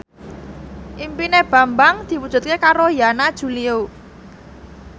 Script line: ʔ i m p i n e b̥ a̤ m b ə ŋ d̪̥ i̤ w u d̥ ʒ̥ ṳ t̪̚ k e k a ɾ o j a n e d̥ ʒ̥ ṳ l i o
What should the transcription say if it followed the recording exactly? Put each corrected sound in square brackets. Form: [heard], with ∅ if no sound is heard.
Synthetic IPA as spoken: ʔ i m p i n e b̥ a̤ m b [a] ŋ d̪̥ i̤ w u d̥ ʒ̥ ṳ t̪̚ k e k a ɾ o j a n [a] d̥ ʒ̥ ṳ l i o